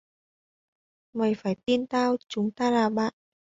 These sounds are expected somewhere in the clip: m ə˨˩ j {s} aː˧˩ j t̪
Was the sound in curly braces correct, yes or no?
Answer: no